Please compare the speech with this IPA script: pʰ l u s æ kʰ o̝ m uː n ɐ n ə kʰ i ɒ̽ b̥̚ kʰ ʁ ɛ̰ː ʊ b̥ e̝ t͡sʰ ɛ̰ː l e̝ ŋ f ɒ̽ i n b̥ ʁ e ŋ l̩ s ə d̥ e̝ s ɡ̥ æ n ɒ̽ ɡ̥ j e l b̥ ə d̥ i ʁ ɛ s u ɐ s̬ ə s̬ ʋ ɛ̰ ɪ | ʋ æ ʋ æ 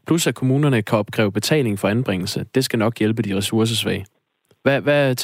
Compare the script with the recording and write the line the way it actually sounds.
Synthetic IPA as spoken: pʰ l u s æ kʰ o̝ m uː n ɐ n ə kʰ æ ɒ̽ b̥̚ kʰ ʁ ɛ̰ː ʊ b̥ e̝ t͡sʰ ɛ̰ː l e̝ ŋ f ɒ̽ æ n b̥ ʁ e ŋ l̩ s ə d̥ e̝ s ɡ̥ æ n ɒ̽ ɡ̥ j e l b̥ ə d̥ i ʁ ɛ s u ɐ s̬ ə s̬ ʋ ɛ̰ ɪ | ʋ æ ʋ æ